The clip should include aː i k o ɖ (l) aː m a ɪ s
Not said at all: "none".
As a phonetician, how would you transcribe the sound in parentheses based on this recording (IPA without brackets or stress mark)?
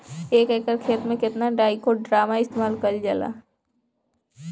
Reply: ɾ